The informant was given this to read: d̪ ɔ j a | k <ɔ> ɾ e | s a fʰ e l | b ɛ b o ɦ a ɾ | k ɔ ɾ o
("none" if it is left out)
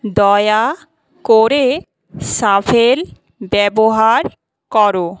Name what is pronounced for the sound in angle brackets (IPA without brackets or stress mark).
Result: o